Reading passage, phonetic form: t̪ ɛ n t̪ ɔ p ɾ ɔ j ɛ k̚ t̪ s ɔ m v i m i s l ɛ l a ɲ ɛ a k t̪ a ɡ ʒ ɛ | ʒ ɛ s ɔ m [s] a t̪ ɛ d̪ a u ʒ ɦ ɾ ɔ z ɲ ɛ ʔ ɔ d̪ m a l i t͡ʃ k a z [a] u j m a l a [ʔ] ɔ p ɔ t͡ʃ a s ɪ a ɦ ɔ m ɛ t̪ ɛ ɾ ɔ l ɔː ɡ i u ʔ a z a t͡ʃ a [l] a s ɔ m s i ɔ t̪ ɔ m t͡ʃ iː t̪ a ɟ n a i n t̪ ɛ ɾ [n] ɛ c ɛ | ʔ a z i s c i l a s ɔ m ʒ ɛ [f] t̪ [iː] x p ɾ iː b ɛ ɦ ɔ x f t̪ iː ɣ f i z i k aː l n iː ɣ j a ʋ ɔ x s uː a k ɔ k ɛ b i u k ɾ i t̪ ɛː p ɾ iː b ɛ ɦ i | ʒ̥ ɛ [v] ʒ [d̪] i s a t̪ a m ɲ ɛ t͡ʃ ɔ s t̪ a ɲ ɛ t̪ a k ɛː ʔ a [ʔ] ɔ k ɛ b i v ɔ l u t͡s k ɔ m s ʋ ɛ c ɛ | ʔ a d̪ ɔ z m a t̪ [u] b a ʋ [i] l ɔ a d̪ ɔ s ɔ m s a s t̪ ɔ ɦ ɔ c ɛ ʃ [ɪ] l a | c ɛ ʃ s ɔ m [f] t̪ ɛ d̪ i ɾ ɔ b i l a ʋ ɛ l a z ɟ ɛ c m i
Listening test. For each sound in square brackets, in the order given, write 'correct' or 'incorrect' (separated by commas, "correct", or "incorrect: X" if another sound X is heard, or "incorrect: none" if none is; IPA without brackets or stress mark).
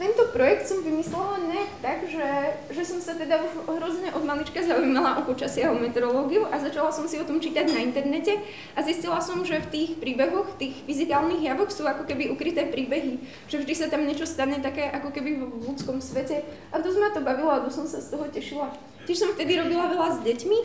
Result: correct, correct, correct, correct, correct, correct, correct, correct, correct, incorrect: k, incorrect: ɔ, correct, incorrect: i, correct